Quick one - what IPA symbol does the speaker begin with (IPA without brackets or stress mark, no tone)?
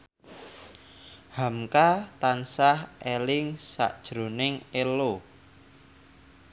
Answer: h